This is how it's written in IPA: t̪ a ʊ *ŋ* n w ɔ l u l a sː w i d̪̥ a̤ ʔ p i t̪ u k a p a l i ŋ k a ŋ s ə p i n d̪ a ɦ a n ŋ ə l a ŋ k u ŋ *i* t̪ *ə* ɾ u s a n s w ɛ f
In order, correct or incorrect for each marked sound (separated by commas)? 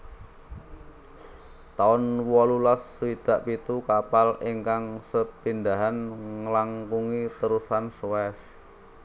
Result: incorrect, correct, correct